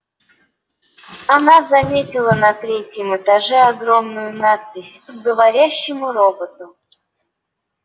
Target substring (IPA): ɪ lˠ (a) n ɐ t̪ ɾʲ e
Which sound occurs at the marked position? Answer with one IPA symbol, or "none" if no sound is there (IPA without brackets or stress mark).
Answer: ə